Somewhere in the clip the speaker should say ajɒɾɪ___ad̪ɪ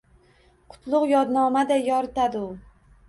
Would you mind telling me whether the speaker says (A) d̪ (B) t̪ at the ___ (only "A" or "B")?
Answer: B